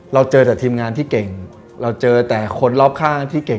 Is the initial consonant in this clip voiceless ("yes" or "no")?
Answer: no